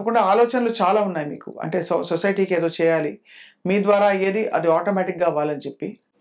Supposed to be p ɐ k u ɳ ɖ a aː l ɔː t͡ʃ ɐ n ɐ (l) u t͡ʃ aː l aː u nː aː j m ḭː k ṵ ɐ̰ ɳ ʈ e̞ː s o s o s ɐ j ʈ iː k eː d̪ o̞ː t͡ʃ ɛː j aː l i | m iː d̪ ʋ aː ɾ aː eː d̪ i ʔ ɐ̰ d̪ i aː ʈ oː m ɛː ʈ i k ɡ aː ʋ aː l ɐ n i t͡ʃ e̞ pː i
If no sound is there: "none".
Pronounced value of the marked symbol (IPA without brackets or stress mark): l